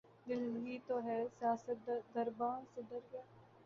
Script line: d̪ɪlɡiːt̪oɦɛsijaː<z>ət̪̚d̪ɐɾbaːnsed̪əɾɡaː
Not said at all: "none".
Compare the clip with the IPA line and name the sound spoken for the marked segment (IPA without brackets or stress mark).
s